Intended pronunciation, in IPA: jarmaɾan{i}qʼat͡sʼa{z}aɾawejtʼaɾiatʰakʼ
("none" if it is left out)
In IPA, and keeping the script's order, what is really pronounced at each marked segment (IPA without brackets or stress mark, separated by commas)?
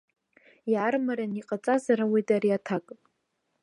i, z